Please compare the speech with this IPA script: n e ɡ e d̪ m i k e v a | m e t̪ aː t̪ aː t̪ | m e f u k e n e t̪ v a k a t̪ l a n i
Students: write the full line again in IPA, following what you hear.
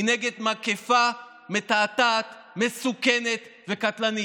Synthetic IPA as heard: n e ɡ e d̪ m a k e f a | m e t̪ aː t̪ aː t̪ | m e s u k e n e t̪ v e k a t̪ l a n i